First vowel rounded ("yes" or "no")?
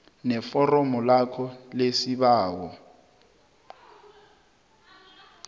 no